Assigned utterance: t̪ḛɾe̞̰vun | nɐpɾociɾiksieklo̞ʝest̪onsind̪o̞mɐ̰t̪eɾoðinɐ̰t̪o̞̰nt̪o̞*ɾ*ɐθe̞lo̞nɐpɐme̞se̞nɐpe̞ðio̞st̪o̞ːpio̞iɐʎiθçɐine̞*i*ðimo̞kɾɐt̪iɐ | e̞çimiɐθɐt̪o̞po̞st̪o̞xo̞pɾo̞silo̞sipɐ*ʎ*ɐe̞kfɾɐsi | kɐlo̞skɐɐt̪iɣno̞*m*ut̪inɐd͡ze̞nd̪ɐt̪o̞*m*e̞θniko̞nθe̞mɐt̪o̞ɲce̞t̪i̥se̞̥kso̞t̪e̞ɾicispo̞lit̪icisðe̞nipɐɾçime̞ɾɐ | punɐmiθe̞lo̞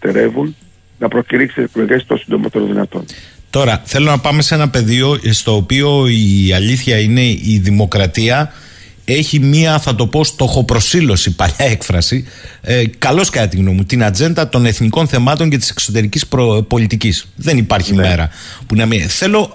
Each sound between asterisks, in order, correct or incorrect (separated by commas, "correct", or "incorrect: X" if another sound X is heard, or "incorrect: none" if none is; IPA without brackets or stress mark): correct, correct, correct, correct, incorrect: n